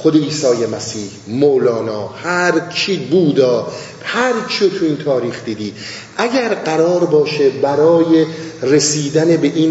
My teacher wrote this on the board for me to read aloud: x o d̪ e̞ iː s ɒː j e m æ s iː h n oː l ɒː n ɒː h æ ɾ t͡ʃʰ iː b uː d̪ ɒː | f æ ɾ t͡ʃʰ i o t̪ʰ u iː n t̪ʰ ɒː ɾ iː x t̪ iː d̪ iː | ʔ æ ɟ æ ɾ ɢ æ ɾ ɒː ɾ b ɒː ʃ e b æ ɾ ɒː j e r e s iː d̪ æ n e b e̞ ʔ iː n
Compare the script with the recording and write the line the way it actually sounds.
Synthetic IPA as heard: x o d̪ e̞ iː s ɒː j e m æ s iː h m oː l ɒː n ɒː h æ ɾ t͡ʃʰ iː b uː d̪ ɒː | h æ ɾ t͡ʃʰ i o t̪ʰ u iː n t̪ʰ ɒː ɾ iː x d̪ iː d̪ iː | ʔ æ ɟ æ ɾ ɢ æ ɾ ɒː ɾ b ɒː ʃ e b æ ɾ ɒː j e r e s iː d̪ æ n e b e̞ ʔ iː n